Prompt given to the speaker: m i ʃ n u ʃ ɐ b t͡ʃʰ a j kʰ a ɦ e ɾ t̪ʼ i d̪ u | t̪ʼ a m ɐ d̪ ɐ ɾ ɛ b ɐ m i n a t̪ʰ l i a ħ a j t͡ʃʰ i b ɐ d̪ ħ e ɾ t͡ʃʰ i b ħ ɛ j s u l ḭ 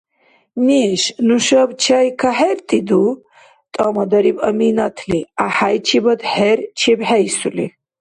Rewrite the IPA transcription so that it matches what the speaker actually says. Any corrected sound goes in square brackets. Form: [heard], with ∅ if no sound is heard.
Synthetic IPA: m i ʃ n u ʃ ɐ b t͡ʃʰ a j kʰ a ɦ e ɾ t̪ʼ i d̪ u | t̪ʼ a m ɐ d̪ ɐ ɾ [i] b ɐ m i n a t̪ʰ l i a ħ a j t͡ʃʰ i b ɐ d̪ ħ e ɾ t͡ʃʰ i b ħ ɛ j s u l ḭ